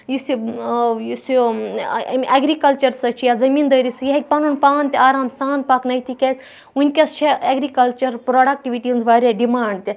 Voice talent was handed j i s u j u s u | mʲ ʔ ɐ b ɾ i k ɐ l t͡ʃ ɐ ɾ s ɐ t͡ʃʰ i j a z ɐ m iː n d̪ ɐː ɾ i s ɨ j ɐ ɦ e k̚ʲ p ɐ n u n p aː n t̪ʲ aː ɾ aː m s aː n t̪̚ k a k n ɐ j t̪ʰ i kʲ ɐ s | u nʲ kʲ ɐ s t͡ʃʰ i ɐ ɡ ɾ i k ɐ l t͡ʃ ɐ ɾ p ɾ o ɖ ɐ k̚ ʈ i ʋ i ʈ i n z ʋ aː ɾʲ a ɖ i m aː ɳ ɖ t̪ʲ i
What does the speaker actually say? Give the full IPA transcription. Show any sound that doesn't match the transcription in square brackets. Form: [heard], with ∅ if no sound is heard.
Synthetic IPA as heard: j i s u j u s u | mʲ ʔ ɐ [ɡ] ɾ i k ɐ l t͡ʃ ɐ ɾ s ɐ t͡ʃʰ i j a z ɐ m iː n d̪ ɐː ɾ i s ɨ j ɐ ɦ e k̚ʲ p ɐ n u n p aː n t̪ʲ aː ɾ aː m s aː n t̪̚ [p] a k n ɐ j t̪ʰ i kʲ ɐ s | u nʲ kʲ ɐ s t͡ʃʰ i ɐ ɡ ɾ i k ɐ l t͡ʃ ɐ ɾ p ɾ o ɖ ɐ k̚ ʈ i ʋ i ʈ i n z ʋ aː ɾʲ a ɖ i m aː ɳ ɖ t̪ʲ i